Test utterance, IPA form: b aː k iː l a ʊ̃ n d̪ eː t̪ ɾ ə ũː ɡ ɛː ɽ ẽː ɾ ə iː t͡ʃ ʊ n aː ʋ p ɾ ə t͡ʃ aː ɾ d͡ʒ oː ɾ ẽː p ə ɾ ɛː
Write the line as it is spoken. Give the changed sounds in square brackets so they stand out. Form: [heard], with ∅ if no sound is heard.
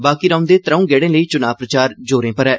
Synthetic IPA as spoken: b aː k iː [ɾ] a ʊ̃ n d̪ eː t̪ ɾ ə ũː ɡ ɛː ɽ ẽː [l] ə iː t͡ʃ ʊ n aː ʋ p ɾ ə t͡ʃ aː ɾ d͡ʒ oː ɾ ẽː p ə ɾ ɛː